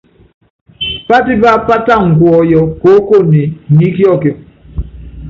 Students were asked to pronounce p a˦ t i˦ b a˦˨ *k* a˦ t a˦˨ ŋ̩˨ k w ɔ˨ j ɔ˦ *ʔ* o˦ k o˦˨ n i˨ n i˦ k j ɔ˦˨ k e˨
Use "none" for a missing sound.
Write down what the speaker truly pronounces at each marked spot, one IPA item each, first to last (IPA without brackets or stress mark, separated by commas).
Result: p, k